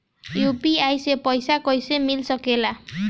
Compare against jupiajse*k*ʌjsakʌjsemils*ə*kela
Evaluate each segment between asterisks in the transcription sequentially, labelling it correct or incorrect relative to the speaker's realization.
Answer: incorrect: p, incorrect: ʌ

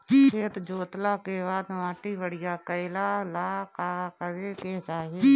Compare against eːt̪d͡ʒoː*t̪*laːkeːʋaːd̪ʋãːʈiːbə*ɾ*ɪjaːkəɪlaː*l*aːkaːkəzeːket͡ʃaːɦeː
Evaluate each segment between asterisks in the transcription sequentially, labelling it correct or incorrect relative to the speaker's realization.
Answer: correct, incorrect: ɽ, correct

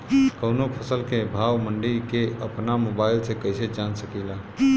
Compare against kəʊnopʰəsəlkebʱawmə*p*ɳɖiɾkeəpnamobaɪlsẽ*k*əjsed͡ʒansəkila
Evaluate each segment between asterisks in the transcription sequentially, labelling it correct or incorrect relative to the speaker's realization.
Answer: incorrect: none, correct

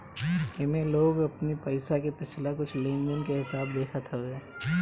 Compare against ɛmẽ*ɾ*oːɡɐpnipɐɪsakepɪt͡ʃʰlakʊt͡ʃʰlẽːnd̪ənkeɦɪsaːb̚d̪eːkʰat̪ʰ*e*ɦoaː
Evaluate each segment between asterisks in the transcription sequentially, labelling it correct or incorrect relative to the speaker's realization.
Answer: incorrect: l, incorrect: a

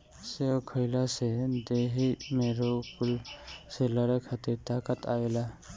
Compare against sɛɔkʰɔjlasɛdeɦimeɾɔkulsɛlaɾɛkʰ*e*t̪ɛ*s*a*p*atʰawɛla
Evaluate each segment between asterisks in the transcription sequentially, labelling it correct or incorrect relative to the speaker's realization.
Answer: incorrect: a, incorrect: t, incorrect: k

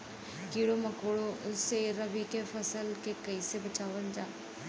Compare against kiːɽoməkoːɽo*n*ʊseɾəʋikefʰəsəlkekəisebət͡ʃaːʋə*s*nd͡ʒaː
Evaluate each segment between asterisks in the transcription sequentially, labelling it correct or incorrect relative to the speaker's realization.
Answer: incorrect: none, incorrect: none

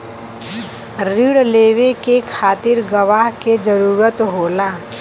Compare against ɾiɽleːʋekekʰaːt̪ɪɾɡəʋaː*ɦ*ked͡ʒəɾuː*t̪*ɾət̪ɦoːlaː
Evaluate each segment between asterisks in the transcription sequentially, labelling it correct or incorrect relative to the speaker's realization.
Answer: correct, incorrect: none

